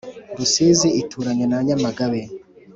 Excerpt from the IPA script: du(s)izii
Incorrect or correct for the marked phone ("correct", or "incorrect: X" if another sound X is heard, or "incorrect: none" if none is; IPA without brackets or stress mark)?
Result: correct